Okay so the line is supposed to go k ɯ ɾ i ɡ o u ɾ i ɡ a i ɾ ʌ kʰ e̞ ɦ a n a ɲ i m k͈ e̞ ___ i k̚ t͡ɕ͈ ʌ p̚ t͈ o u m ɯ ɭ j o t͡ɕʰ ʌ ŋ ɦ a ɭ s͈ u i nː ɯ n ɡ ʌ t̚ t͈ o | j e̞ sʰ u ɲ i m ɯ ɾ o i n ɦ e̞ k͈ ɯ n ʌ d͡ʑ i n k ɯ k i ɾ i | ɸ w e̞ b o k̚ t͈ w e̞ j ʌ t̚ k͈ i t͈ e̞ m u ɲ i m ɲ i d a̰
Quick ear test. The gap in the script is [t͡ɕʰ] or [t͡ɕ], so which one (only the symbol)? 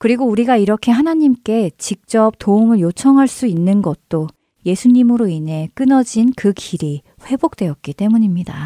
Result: t͡ɕ